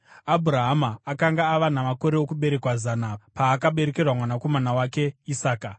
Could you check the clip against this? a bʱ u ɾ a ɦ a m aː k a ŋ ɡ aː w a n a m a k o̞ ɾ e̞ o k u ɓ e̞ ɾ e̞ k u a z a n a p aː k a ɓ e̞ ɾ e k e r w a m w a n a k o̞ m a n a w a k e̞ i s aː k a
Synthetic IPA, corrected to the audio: a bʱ u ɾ a ɦ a m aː k a ŋ ɡ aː ʋ a n a m a k o̞ ɾ e̞ o k u ɓ e̞ ɾ e̞ k w a z a n a p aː k a ɓ e̞ ɾ e k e r w a m w a n a k o̞ m a n a w a k e̞ i s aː k a